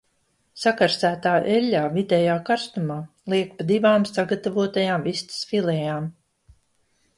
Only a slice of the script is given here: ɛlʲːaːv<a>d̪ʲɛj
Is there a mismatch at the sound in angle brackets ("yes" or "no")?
yes